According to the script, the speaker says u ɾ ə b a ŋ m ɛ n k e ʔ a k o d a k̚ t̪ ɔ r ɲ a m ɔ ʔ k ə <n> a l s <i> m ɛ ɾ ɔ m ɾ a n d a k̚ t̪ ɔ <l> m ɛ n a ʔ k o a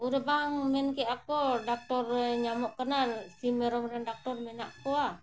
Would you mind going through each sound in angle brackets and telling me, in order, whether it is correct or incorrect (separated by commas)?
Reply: correct, correct, incorrect